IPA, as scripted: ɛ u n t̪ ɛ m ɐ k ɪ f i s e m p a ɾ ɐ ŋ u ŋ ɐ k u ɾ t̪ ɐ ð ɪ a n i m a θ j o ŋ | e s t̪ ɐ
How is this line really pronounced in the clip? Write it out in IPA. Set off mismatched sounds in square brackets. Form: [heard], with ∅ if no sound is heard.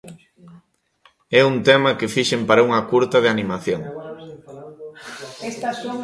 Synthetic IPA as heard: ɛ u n t̪ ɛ m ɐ k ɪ f i [ʃ] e m p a ɾ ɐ [∅] u ŋ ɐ k u ɾ t̪ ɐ ð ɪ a n i m a θ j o ŋ | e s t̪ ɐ